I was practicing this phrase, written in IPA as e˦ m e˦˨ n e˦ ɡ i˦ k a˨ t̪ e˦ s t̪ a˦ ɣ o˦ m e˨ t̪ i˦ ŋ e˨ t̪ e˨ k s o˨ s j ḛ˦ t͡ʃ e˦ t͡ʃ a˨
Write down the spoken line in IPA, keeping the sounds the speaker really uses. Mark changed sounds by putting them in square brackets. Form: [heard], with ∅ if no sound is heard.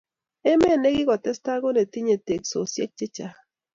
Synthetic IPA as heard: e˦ m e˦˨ n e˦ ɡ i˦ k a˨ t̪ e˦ s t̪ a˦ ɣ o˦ [n] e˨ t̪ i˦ [ɲ] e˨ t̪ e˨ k s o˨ s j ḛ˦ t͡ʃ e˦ t͡ʃ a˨